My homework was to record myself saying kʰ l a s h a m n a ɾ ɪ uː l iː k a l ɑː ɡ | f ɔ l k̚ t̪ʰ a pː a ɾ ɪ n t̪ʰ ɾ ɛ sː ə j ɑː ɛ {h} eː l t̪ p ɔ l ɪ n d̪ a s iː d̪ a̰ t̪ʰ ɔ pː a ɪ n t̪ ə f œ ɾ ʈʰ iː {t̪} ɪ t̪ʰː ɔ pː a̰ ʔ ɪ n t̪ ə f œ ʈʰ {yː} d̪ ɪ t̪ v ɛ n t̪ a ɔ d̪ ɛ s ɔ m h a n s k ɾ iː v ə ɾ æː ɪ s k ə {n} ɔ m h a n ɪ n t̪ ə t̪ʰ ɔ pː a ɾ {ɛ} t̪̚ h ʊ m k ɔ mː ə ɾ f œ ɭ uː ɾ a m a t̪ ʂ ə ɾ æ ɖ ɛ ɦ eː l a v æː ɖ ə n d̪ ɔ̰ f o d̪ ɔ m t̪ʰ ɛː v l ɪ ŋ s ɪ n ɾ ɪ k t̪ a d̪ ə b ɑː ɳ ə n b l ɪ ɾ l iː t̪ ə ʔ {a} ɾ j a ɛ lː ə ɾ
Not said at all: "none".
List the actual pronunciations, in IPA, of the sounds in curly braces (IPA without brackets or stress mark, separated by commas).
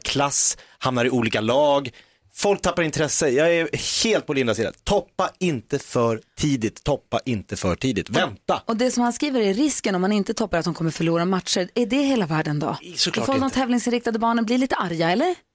h, d̪, iː, n, a, a